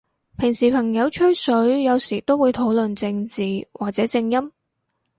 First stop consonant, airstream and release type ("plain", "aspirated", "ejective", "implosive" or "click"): aspirated